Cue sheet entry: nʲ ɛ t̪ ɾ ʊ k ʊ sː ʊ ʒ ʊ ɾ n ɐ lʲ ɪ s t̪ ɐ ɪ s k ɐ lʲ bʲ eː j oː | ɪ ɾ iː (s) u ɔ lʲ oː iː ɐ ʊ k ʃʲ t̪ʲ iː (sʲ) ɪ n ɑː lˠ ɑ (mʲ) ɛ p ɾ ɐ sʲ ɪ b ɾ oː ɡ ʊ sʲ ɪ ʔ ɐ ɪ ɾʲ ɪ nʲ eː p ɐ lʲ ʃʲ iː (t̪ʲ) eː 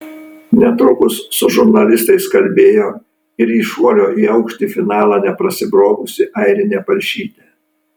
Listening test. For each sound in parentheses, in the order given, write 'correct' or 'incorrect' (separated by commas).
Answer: incorrect, incorrect, incorrect, correct